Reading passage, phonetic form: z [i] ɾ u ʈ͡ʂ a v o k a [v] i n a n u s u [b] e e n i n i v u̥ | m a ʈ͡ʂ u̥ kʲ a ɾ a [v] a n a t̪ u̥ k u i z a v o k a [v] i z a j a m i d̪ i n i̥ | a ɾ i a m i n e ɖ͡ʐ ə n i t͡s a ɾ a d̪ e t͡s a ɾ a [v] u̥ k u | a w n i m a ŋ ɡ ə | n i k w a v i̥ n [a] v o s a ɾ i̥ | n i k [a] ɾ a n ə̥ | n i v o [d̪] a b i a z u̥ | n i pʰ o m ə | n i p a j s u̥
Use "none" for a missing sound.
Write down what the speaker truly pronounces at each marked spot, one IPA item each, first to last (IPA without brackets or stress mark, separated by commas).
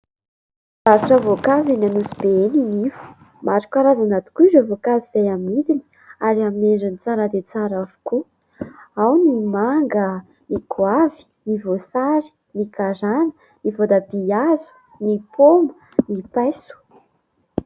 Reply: a, z, b, z, z, v, i, a, d̪